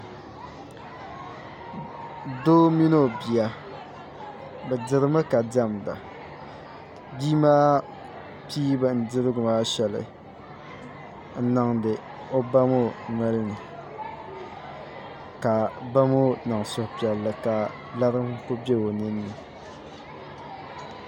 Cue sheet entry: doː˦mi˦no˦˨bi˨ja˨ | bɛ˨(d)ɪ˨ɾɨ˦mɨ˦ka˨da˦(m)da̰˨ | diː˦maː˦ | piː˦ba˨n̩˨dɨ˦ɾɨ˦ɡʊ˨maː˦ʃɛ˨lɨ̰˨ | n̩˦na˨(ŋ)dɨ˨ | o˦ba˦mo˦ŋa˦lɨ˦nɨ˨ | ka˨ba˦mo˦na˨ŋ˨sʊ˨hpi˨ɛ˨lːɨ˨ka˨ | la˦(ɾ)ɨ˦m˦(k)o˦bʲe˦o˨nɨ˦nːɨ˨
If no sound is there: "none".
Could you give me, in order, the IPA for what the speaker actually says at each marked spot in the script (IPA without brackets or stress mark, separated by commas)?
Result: d, m, ŋ, ɾ, k